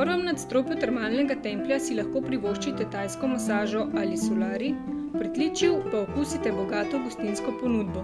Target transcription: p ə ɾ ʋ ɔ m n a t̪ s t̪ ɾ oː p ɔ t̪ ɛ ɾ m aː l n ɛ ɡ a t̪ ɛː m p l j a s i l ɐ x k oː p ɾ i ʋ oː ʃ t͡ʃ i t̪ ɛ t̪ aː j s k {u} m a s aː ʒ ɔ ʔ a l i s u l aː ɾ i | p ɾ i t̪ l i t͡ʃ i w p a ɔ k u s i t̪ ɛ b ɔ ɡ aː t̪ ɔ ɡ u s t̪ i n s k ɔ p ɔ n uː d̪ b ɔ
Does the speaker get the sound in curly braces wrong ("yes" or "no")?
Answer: yes